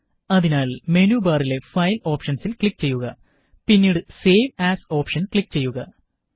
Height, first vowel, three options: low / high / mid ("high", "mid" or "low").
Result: low